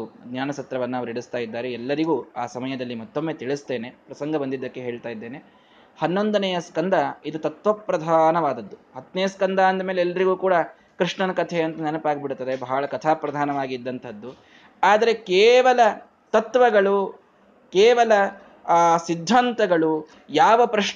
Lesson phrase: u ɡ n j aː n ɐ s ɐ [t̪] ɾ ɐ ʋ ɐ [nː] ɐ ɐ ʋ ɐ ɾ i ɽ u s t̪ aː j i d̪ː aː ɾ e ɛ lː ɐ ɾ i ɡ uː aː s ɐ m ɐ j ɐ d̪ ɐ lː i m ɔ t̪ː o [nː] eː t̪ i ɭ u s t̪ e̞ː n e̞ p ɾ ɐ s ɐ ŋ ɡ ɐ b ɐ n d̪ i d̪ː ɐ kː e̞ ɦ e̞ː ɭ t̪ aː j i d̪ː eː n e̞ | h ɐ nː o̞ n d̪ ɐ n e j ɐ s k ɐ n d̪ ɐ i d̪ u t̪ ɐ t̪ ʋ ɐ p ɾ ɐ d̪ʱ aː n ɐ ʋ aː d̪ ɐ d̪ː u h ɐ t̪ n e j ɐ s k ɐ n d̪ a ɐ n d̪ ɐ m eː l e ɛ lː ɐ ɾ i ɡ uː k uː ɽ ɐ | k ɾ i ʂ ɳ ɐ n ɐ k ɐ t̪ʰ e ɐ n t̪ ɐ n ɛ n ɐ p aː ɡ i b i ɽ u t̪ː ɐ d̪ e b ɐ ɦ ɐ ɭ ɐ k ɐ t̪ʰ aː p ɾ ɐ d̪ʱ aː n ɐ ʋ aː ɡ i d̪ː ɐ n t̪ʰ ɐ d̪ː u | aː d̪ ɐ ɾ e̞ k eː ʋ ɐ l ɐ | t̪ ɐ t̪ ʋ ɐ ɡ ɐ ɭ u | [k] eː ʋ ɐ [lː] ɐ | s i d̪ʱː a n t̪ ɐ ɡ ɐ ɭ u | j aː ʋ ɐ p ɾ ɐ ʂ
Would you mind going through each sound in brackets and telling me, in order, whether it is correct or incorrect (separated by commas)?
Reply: correct, correct, incorrect, correct, incorrect